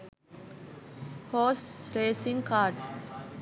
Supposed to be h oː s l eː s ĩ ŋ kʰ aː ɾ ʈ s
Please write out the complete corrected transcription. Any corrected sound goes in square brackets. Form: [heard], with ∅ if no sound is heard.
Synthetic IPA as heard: h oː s [ɾ] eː s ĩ ŋ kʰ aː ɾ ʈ s